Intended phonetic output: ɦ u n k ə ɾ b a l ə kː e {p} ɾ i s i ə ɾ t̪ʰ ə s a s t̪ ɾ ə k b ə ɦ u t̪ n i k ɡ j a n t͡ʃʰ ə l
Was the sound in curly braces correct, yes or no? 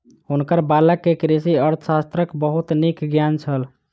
no